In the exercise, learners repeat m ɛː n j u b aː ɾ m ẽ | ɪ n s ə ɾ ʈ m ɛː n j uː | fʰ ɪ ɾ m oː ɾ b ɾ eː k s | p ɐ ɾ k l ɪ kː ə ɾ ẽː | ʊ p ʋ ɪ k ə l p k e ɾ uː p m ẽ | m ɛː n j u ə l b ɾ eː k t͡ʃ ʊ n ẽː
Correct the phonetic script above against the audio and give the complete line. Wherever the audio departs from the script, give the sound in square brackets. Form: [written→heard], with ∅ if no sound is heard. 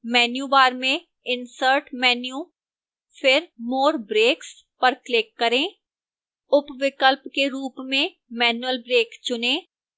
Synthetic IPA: m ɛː n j u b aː ɾ m ẽ | ɪ n s ə ɾ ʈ m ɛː n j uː | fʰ ɪ ɾ m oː ɾ b ɾ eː k s | p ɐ ɾ k l ɪ kː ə ɾ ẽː | ʊ p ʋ ɪ k ə l p k e ɾ uː p m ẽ | m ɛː n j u ə l b ɾ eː k t͡ʃ ʊ n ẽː